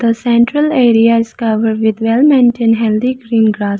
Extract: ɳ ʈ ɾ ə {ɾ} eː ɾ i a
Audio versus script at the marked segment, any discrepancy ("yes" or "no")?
yes